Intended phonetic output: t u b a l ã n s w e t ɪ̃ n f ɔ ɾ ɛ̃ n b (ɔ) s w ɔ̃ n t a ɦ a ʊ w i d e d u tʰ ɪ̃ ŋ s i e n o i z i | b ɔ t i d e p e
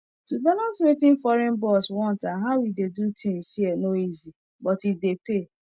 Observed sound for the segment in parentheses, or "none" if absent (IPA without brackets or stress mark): ɔ